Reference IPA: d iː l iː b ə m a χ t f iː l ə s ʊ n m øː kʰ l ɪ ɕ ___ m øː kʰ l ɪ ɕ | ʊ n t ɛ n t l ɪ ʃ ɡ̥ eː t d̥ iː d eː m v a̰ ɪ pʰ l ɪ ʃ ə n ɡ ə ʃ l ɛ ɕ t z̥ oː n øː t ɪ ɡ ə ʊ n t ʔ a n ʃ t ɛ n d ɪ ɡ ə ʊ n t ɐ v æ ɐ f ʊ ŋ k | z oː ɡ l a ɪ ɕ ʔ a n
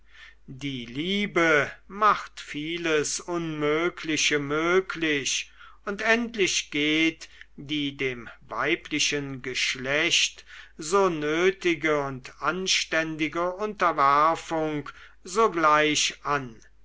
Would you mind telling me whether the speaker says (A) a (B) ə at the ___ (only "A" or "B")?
B